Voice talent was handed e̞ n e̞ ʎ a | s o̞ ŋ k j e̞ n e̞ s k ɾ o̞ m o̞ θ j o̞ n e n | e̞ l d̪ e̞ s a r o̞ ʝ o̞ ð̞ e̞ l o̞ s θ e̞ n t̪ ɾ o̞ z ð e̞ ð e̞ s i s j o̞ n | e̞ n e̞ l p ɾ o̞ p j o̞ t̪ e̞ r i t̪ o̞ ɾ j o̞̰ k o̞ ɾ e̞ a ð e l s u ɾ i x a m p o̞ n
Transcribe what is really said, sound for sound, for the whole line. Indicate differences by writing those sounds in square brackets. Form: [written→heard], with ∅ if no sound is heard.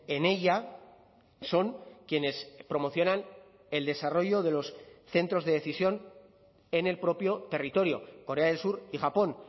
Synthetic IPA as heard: e̞ n e̞ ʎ a | s o̞ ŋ k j e̞ n e̞ s [k→p] ɾ o̞ m o̞ θ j o̞ n [e→a] n | e̞ l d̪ e̞ s a r o̞ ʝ o̞ ð̞ e̞ l o̞ s θ e̞ n t̪ ɾ o̞ z ð e̞ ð e̞ [s→θ] i s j o̞ n | e̞ n e̞ l p ɾ o̞ p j o̞ t̪ e̞ r i t̪ o̞ ɾ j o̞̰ k o̞ ɾ e̞ a ð e l s u ɾ i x a [m→∅] p o̞ n